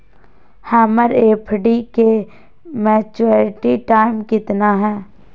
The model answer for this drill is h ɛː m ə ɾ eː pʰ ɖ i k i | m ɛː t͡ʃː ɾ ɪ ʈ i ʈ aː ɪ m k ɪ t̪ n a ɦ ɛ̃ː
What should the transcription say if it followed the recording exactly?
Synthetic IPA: h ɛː m ə ɾ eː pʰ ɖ i k e | m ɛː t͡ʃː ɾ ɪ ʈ i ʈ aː ɪ m k ɪ t̪ n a ɦ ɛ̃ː